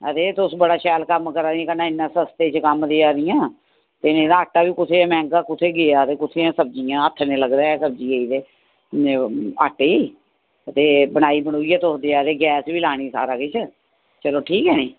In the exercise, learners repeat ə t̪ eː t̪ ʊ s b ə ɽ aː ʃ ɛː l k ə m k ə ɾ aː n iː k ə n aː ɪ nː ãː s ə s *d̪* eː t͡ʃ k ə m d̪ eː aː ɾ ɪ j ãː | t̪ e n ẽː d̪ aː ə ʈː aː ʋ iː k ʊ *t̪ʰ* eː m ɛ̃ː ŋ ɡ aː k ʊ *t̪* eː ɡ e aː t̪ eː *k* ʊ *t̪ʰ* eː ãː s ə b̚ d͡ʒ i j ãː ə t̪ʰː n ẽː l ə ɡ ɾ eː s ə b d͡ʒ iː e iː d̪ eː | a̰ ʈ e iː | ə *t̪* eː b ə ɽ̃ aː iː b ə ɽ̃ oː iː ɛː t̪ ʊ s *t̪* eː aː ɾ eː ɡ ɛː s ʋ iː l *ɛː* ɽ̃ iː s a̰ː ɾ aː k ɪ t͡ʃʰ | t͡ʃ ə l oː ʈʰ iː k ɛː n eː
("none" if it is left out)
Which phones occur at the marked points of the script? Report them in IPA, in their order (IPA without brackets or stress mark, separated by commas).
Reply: t̪, t̪ʰ, t̪ʰ, k, t̪ʰ, t̪, d̪, aː